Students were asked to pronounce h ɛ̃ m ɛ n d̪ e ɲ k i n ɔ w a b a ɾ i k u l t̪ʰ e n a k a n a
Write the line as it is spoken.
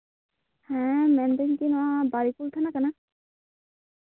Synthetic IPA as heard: h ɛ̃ m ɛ n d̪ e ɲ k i n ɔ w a b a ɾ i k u l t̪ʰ a n a k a n a